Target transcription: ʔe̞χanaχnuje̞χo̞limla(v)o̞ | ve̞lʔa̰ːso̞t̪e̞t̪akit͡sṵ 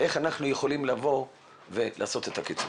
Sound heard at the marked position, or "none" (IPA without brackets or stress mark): v